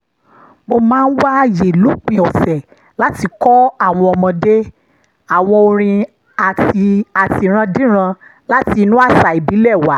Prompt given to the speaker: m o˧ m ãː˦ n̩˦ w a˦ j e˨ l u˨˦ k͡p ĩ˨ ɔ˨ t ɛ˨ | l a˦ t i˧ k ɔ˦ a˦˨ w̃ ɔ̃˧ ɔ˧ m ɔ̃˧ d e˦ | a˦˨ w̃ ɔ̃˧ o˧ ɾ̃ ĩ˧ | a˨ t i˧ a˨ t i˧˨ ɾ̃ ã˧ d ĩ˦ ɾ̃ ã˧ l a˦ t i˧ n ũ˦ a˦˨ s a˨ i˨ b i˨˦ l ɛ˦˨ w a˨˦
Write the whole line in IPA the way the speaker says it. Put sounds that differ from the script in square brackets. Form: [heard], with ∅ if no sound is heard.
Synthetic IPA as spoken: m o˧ m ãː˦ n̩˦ w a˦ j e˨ l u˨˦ k͡p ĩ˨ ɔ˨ [s] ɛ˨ | l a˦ t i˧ k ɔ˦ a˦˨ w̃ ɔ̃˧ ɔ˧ m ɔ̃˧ d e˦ | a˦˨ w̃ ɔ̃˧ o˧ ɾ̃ ĩ˧ | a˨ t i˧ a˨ t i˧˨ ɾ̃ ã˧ d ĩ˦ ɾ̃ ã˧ l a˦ t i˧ n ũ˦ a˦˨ s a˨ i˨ b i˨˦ l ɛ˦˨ w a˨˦